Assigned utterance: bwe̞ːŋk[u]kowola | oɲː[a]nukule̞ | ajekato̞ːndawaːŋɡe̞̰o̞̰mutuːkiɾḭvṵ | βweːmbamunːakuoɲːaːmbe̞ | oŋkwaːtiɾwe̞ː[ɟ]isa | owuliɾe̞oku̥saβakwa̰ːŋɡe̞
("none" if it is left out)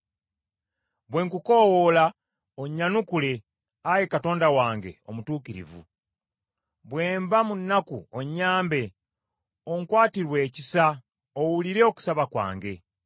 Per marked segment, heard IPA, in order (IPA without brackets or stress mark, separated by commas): u, a, c